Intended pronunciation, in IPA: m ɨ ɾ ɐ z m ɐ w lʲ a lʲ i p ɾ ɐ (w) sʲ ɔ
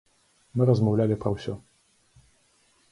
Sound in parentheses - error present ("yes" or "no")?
no